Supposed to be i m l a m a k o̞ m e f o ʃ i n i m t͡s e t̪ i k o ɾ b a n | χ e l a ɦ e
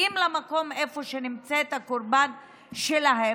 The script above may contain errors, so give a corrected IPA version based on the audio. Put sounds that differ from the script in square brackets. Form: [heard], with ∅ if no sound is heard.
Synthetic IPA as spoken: i m l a m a k o̞ m e f o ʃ [e] n i m t͡s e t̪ [a] k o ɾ b a n | [ʃ] e l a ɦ e